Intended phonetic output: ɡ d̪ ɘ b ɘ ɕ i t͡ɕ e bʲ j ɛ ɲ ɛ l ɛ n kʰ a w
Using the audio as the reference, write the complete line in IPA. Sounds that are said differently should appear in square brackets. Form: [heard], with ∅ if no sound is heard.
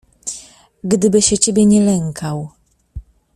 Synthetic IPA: ɡ d̪ ɘ b ɘ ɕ [ɛ] t͡ɕ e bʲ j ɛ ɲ ɛ l ɛ [ŋ] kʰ a w